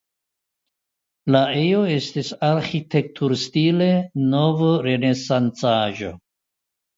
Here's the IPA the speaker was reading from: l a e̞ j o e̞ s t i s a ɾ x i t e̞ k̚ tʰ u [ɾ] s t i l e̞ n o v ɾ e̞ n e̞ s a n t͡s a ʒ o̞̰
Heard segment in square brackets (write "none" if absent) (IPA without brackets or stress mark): ɾ